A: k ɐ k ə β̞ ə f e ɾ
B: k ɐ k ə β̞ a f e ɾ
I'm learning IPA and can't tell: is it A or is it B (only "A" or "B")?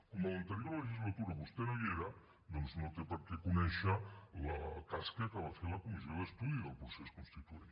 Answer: B